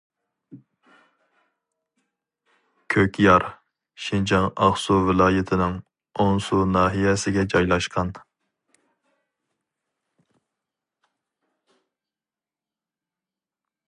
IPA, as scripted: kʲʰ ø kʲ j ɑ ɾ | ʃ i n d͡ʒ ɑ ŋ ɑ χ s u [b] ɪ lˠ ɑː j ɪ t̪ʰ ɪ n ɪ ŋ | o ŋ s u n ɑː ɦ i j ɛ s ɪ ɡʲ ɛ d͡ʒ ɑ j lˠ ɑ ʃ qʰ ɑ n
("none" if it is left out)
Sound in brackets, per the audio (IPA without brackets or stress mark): v